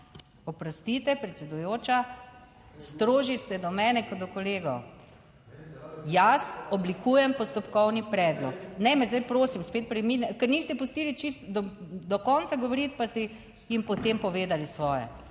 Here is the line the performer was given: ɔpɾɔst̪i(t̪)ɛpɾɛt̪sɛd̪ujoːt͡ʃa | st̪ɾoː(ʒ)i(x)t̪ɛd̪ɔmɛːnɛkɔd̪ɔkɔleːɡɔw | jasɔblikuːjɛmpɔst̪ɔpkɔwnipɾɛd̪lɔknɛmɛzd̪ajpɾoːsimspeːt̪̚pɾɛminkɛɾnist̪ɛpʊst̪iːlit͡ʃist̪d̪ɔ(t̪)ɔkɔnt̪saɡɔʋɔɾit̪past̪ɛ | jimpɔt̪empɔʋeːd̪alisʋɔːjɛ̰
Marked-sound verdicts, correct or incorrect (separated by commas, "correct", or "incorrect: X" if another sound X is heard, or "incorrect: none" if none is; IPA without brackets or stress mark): correct, correct, incorrect: s, incorrect: d̪